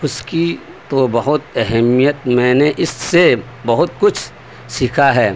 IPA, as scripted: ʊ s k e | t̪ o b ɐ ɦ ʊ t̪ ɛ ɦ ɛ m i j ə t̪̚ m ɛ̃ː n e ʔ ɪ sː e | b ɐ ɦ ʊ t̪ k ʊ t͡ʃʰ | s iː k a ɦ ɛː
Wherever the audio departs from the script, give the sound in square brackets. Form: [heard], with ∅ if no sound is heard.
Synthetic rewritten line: ʊ s k [i] | t̪ o b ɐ ɦ ʊ t̪ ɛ ɦ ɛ m i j ə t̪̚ m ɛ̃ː n e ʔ ɪ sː e | b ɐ ɦ ʊ t̪ k ʊ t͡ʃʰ | s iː [kʰ] a ɦ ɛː